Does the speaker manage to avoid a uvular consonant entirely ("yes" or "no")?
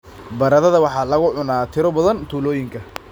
yes